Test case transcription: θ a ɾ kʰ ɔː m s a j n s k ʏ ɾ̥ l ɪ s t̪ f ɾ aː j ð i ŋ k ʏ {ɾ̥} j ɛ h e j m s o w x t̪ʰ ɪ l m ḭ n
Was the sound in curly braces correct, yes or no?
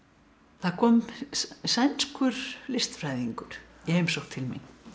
yes